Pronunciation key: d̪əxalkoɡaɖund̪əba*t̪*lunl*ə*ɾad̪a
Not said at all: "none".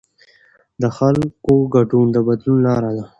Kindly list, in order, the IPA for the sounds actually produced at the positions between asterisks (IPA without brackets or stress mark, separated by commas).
d̪, ɑ